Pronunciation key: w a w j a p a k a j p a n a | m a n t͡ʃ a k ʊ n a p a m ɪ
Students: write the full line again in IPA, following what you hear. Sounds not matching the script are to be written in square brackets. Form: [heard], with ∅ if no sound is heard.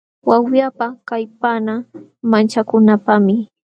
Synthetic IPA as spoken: w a w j a p a k a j p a n a | m a n t͡ʃ a k ʊ n a p a m ɪ